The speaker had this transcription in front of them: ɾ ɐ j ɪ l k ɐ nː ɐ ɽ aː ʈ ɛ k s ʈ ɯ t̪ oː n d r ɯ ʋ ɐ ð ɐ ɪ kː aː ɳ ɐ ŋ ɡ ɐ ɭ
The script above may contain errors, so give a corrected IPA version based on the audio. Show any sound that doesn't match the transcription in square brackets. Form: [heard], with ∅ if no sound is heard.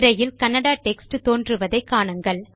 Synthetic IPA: ɾ ɐ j ɪ l k ɐ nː ɐ ɽ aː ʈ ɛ k s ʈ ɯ t̪ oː n d r ɯ ʋ ɐ ð ɐ ɪ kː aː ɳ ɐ ŋ ɡ ɐ ɭ

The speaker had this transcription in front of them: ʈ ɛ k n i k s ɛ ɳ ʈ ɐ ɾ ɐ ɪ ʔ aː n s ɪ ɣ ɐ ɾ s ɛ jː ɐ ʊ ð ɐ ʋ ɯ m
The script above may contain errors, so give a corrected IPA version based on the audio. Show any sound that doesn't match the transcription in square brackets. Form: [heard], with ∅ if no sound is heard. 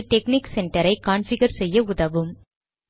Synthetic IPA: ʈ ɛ k n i k s ɛ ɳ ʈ ɐ ɾ ɐ ɪ [k] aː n [f] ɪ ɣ ɐ ɾ s ɛ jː ɐ ʊ ð ɐ ʋ ɯ m

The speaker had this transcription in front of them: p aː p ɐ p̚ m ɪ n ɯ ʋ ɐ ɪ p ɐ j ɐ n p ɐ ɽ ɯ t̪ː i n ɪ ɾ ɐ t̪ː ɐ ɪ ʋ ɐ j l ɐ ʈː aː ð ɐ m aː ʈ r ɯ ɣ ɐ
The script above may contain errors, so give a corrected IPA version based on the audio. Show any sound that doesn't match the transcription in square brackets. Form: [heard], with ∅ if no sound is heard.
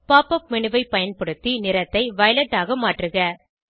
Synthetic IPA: p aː p ɐ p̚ m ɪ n ɯ ʋ ɐ ɪ p ɐ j ɐ n p ɐ ɽ ɯ t̪ː i n ɪ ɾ ɐ t̪ː ɐ ɪ ʋ ɐ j l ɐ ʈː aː [ɣ] ɐ m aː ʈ r ɯ ɣ ɐ

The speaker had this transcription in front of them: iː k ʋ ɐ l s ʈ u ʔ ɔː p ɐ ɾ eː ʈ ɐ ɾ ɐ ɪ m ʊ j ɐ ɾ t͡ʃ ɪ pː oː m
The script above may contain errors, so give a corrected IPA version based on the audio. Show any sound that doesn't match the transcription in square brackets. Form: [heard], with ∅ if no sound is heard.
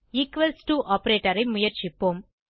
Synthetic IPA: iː k ʋ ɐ l s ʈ u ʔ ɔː p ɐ ɾ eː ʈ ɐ ɾ ɐ ɪ m ʊ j ɐ ɾ t͡ʃ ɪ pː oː m

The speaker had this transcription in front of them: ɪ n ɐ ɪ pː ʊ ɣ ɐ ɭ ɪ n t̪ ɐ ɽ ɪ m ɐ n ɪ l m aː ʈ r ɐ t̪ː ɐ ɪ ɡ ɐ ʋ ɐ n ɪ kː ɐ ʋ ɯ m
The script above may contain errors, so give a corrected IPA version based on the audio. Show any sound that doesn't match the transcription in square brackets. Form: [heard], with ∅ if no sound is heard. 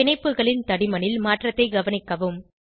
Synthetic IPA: ɪ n ɐ ɪ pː [ɯ] ɣ ɐ ɭ ɪ n t̪ ɐ ɽ ɪ m ɐ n ɪ l m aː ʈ r ɐ t̪ː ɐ ɪ ɡ ɐ ʋ ɐ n ɪ kː ɐ ʋ ɯ m

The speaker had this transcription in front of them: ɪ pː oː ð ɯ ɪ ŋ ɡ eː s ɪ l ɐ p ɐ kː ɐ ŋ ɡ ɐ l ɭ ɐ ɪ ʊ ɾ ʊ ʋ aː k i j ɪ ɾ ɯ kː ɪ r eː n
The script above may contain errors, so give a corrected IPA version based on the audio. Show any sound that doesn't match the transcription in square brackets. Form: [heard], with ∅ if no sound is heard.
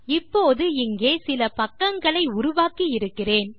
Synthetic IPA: ɪ pː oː ð ɯ ɪ ŋ ɡ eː s ɪ l ɐ p ɐ kː ɐ ŋ ɡ ɐ [∅] ɭ ɐ ɪ ʊ ɾ ʊ ʋ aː k i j ɪ ɾ ɯ kː ɪ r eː n

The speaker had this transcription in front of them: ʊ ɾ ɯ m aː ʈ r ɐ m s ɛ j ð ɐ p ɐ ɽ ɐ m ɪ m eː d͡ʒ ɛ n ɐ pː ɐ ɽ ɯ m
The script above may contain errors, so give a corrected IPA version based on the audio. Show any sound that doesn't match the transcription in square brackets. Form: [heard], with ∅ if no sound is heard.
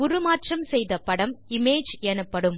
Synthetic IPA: ʊ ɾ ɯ m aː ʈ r ɐ m s ɛ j ð ɐ p ɐ ɽ ɐ m ɪ m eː d͡ʒ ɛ n ɐ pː ɐ ɽ ɯ m

